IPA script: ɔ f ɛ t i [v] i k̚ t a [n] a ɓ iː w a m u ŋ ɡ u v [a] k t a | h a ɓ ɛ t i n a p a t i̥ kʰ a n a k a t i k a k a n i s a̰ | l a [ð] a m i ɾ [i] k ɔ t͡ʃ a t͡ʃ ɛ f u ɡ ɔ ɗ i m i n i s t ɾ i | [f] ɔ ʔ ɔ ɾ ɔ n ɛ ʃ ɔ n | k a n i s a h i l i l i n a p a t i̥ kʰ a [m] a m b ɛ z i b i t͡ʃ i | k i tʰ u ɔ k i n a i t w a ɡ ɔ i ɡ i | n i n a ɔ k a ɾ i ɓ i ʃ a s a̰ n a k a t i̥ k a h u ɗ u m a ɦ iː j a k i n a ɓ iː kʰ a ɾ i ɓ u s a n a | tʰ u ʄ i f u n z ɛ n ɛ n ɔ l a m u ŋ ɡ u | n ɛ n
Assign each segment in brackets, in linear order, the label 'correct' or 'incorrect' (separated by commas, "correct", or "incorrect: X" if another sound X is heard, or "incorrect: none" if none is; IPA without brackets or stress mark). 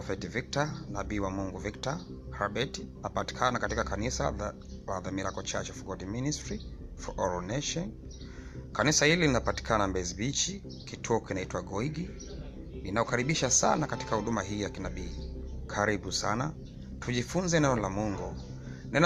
correct, correct, incorrect: i, correct, incorrect: a, correct, incorrect: n